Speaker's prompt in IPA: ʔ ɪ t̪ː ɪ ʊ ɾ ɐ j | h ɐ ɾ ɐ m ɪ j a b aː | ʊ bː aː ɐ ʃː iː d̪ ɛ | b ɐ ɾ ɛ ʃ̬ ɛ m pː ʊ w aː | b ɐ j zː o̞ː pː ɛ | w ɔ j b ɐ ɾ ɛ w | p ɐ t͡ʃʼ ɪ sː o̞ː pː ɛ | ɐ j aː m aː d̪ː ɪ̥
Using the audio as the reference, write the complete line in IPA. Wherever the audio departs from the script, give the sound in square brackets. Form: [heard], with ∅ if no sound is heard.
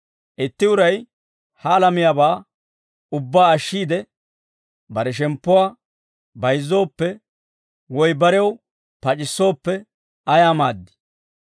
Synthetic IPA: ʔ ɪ t̪ː ɪ ʊ ɾ ɐ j | h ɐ [l] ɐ m ɪ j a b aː | ʊ bː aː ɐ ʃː iː d̪ ɛ | b ɐ ɾ ɛ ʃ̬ ɛ m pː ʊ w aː | b ɐ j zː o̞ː pː ɛ | w ɔ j b ɐ ɾ ɛ w | p ɐ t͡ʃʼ ɪ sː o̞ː pː ɛ | ɐ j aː m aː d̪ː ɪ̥